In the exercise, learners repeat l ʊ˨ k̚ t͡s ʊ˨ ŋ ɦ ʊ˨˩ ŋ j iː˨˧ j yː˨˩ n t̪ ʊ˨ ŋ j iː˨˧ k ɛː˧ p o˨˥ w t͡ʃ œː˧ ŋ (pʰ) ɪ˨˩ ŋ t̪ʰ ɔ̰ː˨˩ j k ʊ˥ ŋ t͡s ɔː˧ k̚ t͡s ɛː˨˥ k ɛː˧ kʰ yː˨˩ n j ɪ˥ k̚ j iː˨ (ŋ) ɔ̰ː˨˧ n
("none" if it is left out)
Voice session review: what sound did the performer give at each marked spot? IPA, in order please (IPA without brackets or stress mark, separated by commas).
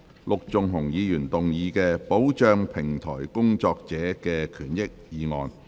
pʰ, ŋ